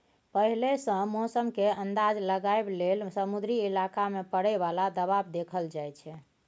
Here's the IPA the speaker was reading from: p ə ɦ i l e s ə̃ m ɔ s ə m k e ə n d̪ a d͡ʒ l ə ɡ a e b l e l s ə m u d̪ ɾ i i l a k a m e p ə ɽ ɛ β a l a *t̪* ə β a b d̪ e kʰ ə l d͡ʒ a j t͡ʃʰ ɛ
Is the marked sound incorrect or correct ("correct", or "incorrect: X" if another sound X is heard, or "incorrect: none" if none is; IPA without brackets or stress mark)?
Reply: incorrect: d̪